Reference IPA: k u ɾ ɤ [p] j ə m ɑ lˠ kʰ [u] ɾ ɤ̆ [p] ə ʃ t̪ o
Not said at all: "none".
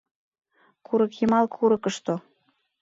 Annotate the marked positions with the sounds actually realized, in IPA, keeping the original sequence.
k, u, k

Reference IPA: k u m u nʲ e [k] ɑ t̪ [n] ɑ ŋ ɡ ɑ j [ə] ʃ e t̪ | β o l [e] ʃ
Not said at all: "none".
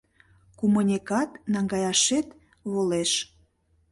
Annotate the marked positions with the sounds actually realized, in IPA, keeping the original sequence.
k, n, ɑ, e

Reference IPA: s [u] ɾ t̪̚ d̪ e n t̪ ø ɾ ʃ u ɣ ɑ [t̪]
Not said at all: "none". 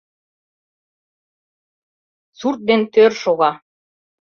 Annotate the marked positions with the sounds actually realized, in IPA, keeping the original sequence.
u, none

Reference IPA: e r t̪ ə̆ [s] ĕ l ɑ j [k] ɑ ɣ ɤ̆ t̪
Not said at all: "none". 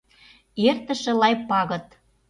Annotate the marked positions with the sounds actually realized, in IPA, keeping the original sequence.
ʃ, p

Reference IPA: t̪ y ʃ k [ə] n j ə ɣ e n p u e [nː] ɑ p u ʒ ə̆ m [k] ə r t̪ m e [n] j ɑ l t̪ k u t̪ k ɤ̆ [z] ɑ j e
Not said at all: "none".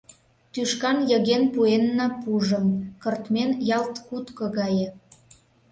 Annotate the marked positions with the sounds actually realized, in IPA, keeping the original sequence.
ɑ, nː, k, n, ɣ

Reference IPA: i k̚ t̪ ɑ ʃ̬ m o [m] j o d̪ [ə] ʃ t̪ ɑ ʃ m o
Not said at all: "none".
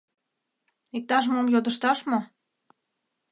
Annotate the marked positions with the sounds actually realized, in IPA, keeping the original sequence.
m, ə

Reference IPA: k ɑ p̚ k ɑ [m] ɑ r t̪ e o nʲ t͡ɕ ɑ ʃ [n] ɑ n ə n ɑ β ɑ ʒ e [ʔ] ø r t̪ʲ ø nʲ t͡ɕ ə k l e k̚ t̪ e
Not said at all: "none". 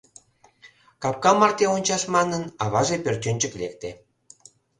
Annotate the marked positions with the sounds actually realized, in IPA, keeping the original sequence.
m, m, p

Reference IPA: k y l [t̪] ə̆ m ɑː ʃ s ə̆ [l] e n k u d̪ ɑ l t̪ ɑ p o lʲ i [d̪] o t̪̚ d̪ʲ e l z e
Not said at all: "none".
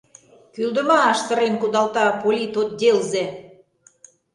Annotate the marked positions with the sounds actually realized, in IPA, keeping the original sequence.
d̪, ɾ, t̪

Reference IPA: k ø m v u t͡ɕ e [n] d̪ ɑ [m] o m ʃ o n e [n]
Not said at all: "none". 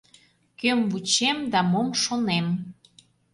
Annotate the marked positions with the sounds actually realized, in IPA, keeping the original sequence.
m, m, m

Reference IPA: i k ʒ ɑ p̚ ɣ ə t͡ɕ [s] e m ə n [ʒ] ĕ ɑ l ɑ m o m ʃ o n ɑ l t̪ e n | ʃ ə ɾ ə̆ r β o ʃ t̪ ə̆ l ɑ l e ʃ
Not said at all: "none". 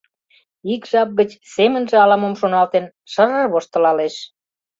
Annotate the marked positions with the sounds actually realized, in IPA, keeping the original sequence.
s, ʒ

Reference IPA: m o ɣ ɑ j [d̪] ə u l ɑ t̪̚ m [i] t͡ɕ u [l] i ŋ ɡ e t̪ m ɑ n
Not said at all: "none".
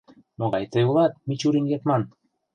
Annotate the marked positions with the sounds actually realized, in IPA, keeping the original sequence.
t̪, i, ɾ

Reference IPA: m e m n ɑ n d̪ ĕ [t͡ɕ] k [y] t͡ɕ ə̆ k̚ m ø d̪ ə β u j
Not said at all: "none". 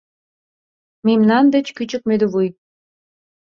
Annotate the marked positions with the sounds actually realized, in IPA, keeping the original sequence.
t͡ɕ, y

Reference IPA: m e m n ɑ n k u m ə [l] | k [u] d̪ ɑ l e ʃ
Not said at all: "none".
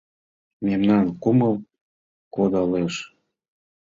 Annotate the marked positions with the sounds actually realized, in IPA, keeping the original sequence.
l, o

